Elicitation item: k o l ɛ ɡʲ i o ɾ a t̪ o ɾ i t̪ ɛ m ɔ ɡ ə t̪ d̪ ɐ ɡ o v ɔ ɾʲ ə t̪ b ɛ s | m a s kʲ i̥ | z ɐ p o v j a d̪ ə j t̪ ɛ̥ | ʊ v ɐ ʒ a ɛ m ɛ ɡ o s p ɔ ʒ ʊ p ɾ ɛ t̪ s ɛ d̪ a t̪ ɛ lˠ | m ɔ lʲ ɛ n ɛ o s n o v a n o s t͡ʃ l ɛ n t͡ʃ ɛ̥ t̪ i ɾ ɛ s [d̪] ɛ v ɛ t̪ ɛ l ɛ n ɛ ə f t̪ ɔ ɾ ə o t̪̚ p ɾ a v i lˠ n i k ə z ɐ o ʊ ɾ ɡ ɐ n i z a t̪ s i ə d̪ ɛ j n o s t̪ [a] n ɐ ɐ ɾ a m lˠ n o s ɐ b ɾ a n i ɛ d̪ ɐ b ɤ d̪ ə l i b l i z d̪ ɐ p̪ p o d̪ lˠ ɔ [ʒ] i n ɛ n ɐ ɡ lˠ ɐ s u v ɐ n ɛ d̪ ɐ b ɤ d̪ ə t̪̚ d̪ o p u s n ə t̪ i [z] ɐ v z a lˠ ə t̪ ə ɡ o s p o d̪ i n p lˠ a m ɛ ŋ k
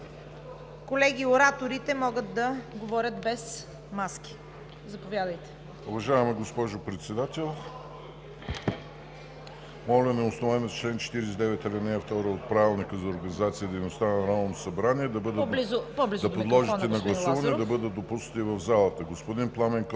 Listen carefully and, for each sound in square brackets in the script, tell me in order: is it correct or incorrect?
correct, correct, correct, incorrect: v

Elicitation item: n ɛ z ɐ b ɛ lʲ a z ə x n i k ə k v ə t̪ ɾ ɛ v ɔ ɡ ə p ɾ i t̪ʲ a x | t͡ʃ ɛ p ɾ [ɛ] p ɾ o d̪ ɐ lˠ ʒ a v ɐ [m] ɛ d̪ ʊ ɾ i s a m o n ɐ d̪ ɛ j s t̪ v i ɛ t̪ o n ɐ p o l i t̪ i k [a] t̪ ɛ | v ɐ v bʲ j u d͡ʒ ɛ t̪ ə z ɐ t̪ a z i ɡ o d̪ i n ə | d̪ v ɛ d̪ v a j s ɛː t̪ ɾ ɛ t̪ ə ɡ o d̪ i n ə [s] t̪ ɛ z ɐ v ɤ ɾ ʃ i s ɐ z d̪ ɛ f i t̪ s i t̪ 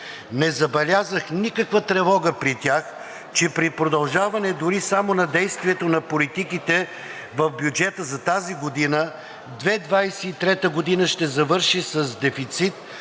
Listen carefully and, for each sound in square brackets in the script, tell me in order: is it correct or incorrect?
incorrect: i, incorrect: n, incorrect: i, incorrect: ʃ

